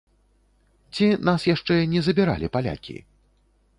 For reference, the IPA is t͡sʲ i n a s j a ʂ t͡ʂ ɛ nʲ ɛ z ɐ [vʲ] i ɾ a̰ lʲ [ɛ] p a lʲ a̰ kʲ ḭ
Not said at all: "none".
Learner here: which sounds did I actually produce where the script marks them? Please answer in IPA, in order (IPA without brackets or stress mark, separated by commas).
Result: bʲ, i